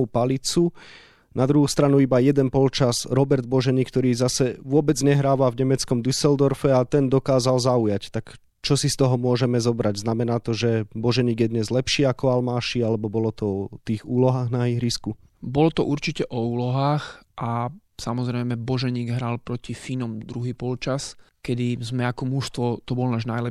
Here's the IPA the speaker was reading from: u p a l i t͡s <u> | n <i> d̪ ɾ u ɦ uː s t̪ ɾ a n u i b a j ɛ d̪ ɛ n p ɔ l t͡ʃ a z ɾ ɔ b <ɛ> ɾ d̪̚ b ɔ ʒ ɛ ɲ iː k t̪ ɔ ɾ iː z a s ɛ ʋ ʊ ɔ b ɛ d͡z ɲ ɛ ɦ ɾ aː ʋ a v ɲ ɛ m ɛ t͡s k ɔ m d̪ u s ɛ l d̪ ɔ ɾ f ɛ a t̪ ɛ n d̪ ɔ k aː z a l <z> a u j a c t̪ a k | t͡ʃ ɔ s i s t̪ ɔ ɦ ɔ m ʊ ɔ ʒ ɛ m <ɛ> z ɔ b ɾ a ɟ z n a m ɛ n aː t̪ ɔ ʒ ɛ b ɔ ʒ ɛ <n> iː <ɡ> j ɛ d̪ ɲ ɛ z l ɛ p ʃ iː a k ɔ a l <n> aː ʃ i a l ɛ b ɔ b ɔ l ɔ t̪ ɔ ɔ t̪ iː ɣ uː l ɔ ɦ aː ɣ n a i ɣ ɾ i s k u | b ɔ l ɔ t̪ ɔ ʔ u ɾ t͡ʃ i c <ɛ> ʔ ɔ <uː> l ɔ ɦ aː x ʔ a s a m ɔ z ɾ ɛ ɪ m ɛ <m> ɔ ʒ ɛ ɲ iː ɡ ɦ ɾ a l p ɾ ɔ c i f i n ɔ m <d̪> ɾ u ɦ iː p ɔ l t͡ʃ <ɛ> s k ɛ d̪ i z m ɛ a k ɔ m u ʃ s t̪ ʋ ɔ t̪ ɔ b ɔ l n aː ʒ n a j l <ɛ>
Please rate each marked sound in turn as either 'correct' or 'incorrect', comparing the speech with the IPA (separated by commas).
correct, incorrect, correct, correct, correct, incorrect, correct, incorrect, correct, correct, incorrect, correct, incorrect, correct